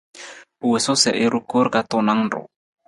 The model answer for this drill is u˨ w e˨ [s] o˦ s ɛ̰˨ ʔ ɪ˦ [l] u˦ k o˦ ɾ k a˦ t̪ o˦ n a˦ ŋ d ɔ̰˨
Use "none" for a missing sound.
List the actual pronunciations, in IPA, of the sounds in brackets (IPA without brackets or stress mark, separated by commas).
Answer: s, ɾ